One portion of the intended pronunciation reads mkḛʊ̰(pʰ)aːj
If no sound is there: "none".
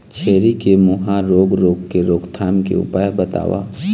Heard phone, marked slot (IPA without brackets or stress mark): p